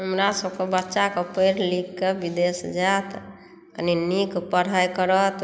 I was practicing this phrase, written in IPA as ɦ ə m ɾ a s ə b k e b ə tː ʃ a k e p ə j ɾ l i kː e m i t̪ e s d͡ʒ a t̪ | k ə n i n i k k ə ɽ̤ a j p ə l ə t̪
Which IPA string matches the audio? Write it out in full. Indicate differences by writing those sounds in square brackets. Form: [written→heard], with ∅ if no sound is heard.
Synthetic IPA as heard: ɦ ə m ɾ a s ə b k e b ə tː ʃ a k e p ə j ɾ l i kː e [m→b] i [t̪→d̪] e s d͡ʒ a t̪ | k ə n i n i k [k→p] ə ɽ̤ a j [p→k] ə [l→ɾ] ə t̪